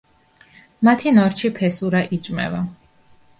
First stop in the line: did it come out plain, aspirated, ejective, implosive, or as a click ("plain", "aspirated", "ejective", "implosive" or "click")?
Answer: aspirated